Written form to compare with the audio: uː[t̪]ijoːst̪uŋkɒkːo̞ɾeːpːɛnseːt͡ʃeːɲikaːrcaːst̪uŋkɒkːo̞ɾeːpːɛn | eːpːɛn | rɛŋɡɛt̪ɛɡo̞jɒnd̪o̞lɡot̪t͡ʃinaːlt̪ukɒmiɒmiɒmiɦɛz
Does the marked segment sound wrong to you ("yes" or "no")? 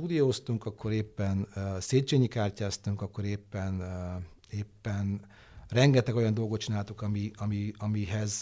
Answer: yes